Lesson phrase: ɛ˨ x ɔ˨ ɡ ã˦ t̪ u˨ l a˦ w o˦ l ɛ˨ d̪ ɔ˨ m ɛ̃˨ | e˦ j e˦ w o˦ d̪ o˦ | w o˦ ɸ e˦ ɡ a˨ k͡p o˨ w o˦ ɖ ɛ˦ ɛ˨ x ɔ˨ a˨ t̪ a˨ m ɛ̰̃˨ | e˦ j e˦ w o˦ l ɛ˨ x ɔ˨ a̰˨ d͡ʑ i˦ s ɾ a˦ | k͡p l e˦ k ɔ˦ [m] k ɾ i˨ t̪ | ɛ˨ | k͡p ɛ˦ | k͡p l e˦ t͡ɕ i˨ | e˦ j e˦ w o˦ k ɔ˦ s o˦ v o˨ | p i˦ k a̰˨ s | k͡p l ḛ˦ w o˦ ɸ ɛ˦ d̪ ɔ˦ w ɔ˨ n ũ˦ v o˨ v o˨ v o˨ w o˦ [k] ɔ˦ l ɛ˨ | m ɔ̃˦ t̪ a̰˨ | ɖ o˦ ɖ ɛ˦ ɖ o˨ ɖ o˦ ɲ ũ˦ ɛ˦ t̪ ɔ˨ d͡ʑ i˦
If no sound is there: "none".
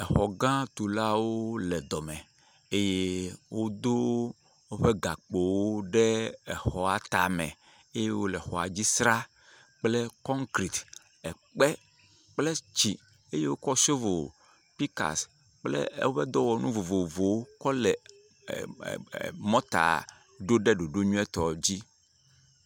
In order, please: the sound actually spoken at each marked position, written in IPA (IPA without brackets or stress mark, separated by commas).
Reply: ŋ, k